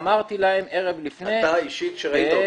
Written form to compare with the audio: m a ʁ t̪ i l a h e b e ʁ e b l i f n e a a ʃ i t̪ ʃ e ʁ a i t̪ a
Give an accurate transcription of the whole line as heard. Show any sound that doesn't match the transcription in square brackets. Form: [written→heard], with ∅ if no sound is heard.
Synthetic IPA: m a ʁ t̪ i l a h e [b→m] e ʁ e [b→v] l i f n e a [a→i] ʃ i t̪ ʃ e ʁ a i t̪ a